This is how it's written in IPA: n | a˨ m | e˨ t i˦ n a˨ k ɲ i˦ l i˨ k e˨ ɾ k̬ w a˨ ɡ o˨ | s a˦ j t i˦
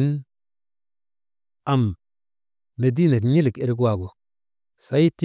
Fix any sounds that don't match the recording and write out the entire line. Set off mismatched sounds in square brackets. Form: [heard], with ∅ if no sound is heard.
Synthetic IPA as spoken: n | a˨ m | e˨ [d] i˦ n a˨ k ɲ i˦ l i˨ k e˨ ɾ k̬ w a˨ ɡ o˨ | s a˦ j t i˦

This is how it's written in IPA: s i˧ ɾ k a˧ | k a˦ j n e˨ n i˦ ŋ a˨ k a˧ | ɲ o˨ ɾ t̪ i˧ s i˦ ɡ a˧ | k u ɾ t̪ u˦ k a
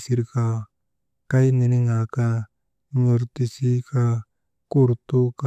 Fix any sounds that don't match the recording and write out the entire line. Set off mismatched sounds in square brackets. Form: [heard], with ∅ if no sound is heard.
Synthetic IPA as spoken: s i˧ ɾ k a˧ | k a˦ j n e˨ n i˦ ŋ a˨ k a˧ | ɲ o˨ ɾ t̪ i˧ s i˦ [k] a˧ | k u ɾ t̪ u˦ k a

